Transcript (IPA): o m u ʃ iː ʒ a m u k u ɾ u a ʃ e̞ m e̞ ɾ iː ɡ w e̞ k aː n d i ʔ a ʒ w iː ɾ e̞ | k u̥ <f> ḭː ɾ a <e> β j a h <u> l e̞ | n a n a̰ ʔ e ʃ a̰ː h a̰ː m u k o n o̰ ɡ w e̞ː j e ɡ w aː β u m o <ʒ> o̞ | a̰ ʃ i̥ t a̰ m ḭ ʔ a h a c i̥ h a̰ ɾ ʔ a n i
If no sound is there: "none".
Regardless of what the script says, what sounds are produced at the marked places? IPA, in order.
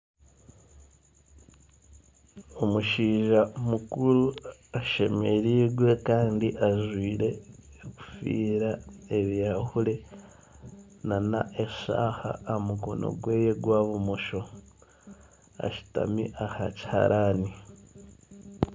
f, e, u, ʃ

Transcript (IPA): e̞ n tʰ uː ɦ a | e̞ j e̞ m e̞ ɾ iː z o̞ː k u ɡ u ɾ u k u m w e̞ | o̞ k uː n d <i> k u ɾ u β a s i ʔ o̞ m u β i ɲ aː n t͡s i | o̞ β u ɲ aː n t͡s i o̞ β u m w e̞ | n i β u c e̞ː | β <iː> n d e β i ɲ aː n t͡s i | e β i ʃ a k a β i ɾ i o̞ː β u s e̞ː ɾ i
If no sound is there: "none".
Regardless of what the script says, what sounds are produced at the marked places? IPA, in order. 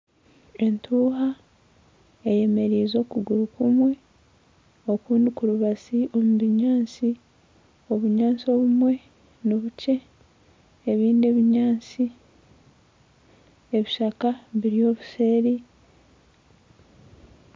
i, iː

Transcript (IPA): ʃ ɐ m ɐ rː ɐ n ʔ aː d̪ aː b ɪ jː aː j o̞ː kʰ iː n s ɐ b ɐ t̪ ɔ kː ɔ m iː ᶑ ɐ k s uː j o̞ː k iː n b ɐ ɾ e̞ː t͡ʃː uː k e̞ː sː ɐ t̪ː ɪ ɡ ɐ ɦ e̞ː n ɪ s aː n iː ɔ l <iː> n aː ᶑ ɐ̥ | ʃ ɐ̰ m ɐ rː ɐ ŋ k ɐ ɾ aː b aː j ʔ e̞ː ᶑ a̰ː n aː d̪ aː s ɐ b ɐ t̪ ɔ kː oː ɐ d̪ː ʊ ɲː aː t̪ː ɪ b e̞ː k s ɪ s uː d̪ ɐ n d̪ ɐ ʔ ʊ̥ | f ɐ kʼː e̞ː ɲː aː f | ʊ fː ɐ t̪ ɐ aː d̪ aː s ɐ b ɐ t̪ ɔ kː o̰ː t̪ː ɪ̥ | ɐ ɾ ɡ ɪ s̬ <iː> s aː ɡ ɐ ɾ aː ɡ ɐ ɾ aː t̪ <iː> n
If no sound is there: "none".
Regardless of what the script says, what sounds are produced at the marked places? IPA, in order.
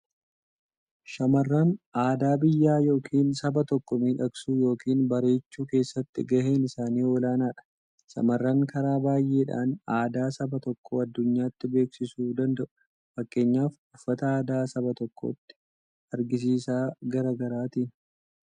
aː, iː, iː

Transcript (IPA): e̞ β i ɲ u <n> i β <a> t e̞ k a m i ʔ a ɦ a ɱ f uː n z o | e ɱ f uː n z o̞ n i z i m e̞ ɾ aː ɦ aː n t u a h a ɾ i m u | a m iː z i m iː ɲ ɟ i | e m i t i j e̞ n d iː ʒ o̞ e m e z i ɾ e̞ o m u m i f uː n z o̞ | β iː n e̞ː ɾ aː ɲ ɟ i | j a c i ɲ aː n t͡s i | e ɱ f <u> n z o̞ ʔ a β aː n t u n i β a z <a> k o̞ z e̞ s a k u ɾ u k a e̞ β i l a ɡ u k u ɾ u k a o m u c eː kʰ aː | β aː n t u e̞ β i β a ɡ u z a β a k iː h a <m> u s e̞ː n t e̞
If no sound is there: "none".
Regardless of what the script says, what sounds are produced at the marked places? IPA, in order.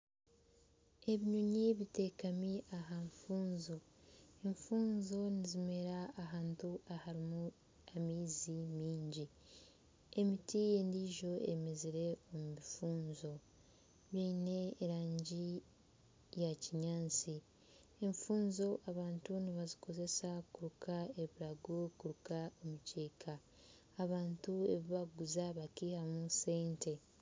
ɲ, i, uː, i, m

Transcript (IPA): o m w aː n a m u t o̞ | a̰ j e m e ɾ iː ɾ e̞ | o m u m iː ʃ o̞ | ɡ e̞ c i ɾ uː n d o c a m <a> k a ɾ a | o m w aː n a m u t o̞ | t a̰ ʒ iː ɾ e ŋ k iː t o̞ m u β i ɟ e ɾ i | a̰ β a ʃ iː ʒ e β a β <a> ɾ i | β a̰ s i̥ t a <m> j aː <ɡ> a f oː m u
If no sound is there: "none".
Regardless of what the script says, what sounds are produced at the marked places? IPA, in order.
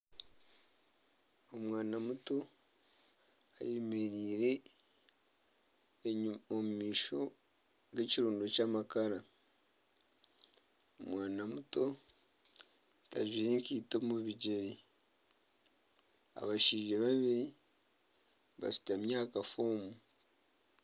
a, i, m, k

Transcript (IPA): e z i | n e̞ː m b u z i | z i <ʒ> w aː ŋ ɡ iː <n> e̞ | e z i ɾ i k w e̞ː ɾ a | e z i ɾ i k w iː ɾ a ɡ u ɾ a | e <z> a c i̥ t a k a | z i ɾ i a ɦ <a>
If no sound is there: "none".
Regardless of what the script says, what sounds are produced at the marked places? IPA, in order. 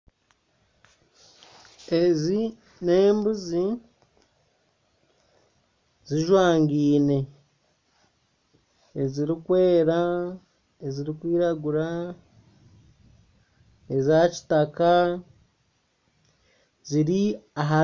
ʒ, n, z, a

